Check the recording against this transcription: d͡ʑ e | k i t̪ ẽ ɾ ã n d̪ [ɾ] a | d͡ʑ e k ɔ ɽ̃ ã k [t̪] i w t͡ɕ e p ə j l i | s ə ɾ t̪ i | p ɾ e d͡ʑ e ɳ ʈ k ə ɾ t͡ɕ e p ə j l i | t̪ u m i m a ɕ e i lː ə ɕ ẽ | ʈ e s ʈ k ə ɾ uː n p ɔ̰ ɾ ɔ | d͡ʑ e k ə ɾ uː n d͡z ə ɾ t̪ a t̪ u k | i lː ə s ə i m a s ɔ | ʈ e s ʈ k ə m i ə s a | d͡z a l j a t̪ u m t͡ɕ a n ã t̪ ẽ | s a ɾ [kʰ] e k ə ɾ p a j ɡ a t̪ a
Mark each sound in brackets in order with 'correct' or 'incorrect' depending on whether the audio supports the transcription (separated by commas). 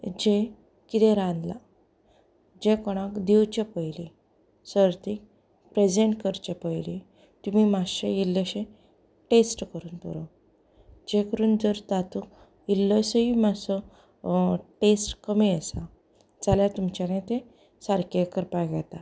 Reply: incorrect, incorrect, incorrect